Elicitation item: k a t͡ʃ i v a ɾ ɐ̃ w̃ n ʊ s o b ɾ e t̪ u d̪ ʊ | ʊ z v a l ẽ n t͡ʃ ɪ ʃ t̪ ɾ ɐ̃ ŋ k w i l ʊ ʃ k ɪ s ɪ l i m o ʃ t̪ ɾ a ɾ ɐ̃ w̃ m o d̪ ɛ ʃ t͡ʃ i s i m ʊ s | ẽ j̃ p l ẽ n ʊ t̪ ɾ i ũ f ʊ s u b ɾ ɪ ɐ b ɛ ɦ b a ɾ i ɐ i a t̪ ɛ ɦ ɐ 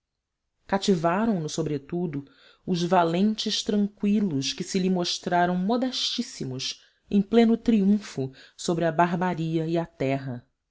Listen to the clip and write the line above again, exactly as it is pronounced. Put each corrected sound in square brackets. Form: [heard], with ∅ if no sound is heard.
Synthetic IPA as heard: k a t͡ʃ i v a ɾ ɐ̃ w̃ n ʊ s o b ɾ e t̪ u d̪ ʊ | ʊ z v a l ẽ n t͡ʃ ɪ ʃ t̪ ɾ ɐ̃ ŋ k w i l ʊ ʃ k ɪ s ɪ l i m o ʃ t̪ ɾ a ɾ ɐ̃ w̃ m o d̪ ɛ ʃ t͡ʃ i s i m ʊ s | ẽ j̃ p l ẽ n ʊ t̪ ɾ i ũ f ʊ s [o] b ɾ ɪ ɐ b [a] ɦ b a ɾ i ɐ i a t̪ ɛ ɦ ɐ